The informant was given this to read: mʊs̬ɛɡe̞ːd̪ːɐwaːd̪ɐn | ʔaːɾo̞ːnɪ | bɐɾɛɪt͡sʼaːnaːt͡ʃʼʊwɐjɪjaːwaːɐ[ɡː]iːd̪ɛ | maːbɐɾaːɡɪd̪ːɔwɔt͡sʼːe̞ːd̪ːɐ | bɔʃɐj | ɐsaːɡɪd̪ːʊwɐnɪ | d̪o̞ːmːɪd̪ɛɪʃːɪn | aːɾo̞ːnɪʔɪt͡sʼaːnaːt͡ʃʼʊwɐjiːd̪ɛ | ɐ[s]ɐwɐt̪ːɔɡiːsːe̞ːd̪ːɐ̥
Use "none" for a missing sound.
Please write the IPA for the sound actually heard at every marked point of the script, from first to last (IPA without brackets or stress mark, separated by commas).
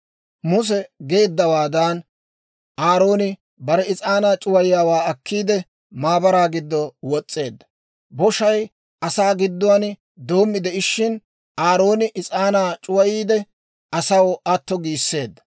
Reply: kː, s